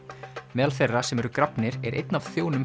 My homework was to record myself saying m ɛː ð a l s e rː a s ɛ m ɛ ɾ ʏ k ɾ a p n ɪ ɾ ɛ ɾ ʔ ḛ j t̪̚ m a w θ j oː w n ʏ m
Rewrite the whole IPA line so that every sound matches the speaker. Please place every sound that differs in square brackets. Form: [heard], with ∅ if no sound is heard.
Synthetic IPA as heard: m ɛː ð a l [θ] e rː a s ɛ m ɛ ɾ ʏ k ɾ a p n ɪ ɾ ɛ ɾ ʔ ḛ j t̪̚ [n] a [v] θ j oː w n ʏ m